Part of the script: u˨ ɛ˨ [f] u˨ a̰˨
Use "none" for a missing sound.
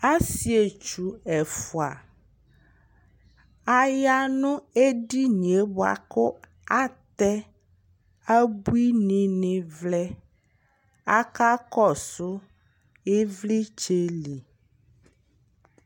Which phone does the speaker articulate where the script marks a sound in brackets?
f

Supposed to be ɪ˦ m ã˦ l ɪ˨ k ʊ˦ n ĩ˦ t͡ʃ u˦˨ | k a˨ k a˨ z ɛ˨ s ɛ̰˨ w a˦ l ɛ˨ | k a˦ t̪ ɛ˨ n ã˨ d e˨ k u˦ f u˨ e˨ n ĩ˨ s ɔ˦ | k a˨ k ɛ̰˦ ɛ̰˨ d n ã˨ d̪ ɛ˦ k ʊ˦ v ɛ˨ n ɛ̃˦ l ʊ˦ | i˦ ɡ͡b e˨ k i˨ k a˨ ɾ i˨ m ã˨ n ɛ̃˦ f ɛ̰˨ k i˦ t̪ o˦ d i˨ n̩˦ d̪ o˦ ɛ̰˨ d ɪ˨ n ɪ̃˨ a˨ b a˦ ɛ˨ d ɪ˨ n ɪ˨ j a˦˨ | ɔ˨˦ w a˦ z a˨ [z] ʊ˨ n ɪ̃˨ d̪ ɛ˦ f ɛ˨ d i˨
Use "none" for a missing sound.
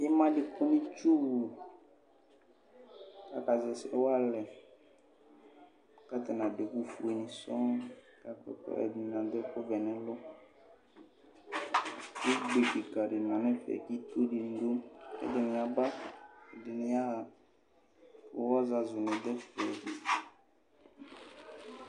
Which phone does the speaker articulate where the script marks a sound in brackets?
z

